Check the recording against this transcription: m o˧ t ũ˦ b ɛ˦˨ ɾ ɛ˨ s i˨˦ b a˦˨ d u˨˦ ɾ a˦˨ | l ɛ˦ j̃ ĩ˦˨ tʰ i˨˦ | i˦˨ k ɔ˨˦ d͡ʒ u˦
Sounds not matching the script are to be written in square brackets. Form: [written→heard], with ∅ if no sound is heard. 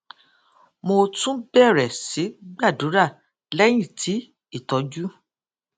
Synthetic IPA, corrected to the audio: m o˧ t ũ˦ b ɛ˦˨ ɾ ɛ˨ s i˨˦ [b→ɡ͡b] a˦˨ d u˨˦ ɾ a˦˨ | l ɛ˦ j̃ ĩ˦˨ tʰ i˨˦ | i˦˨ [k→t] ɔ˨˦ d͡ʒ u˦